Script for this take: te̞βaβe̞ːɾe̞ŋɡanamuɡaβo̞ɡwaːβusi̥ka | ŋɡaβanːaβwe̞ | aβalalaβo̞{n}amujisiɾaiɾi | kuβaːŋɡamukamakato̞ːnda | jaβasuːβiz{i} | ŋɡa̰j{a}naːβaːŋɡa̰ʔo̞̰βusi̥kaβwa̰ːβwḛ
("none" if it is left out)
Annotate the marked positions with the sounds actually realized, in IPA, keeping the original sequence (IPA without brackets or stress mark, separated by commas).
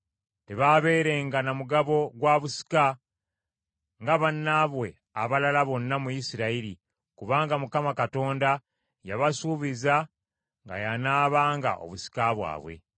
nː, a, a